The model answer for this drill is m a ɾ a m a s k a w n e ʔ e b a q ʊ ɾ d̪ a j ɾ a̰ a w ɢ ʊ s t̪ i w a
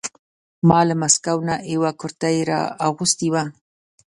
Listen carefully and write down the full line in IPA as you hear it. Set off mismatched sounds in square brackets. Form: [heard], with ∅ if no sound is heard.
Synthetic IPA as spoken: m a [l] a m a s k a w n [a] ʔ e [w] a [k] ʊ ɾ [t̪] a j ɾ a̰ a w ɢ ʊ s t̪ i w a